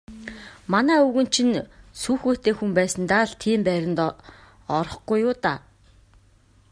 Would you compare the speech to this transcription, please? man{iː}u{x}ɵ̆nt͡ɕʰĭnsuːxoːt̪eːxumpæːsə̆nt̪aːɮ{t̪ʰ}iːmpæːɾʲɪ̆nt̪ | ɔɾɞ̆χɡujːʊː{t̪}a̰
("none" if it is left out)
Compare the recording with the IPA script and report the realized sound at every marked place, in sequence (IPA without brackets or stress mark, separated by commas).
æː, ɣ, t̪ʰ, t̪